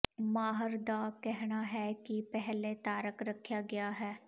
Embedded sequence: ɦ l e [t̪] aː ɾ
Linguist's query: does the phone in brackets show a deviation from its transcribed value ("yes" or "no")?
no